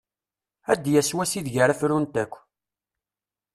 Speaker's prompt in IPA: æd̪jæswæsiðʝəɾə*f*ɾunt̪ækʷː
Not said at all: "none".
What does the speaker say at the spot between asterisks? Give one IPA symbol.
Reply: f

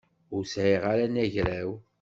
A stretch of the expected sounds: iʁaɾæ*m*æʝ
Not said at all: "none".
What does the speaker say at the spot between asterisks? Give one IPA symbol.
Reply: n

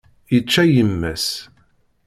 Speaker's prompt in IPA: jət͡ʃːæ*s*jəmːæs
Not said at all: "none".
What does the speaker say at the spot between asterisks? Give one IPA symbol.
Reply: none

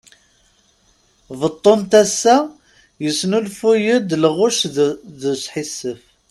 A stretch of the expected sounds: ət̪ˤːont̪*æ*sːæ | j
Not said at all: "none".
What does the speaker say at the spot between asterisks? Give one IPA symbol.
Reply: æ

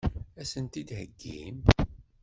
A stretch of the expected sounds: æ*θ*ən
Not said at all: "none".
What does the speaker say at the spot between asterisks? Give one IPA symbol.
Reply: s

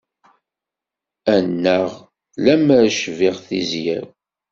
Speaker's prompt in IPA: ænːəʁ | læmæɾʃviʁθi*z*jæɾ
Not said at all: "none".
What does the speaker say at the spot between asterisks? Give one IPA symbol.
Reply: z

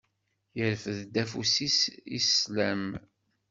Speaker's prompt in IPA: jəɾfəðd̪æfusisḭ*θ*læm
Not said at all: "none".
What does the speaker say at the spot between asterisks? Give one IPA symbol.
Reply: s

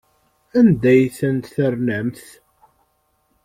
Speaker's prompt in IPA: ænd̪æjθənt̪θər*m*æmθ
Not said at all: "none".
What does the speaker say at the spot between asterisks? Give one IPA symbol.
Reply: n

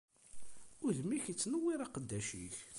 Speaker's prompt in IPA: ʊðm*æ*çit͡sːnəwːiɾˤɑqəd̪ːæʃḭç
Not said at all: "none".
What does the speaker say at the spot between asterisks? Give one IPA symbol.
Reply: i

